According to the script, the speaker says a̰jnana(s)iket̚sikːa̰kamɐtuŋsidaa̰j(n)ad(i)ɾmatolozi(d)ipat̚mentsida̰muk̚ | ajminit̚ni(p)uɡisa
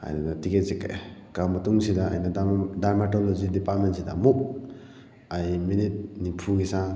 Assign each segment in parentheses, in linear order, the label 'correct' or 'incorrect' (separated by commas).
incorrect, correct, incorrect, correct, incorrect